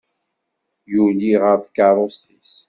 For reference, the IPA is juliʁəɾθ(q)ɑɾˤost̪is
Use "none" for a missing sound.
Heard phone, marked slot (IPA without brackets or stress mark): k